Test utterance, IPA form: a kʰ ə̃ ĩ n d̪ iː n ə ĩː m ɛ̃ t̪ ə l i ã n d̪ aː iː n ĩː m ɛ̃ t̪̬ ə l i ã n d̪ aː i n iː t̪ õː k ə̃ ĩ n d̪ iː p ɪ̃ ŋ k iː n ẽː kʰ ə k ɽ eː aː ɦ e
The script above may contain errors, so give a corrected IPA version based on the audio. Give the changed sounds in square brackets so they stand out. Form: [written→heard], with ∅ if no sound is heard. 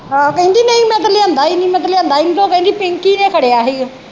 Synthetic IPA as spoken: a [kʰ→k] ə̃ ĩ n d̪ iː n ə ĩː m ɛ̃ t̪ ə l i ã n d̪ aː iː n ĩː m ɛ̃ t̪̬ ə l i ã n d̪ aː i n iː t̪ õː k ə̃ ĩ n d̪ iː p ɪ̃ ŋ k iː n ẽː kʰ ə [k→∅] ɽ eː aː ɦ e